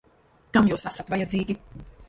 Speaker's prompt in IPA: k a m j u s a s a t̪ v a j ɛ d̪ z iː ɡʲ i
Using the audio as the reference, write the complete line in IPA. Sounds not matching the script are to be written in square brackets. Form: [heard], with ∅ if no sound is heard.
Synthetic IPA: k a m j [uː] s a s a t̪ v a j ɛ d̪ z iː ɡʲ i